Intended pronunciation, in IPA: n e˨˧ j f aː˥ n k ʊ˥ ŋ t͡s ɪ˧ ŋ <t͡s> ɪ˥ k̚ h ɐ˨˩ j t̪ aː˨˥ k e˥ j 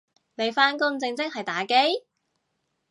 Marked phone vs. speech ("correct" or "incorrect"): correct